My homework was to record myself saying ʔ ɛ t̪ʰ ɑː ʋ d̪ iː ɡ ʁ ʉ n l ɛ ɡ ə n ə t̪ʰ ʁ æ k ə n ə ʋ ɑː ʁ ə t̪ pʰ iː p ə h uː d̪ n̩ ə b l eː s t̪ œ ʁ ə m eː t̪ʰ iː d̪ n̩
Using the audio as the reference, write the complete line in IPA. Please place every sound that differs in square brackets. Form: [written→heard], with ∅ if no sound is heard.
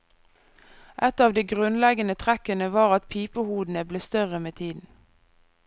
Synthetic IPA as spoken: ʔ ɛ [t̪ʰ→t̪] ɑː ʋ d̪ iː ɡ ʁ ʉ n l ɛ ɡ ə n ə t̪ʰ ʁ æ k ə n ə ʋ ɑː ʁ [ə→ɑ] t̪ pʰ iː p ə h uː d̪ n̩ ə b l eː s t̪ œ ʁ ə m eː t̪ʰ iː d̪ n̩